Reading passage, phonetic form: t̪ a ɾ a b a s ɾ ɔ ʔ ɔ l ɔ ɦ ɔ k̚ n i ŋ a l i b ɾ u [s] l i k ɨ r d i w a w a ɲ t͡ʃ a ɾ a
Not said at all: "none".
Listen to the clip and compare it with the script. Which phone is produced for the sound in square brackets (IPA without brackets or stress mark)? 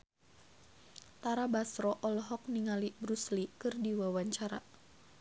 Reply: s